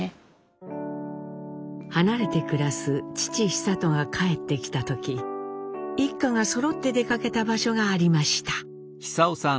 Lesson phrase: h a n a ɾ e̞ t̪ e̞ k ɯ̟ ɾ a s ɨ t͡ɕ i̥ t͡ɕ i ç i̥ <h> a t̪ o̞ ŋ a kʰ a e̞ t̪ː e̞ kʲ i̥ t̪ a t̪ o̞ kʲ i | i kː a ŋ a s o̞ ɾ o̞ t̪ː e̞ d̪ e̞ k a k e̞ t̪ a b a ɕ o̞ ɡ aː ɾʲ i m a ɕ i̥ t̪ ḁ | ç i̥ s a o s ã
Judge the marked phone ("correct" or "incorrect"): incorrect